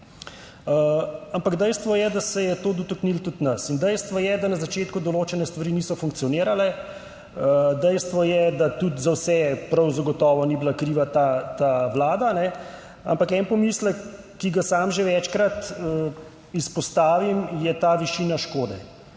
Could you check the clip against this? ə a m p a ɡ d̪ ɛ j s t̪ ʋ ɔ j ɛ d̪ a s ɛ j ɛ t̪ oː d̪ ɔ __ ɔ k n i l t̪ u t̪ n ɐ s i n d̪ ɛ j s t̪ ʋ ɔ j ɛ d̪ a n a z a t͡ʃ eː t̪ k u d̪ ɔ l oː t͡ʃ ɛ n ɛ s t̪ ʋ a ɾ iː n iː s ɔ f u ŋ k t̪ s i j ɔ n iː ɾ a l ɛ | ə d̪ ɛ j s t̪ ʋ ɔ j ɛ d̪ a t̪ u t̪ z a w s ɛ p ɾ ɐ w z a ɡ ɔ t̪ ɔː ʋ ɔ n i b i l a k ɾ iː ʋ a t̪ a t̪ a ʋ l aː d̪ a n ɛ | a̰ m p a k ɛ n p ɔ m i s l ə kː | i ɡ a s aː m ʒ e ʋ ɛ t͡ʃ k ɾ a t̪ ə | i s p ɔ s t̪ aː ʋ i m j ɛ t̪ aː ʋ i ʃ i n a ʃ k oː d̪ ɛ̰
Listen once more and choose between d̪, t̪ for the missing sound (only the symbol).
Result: t̪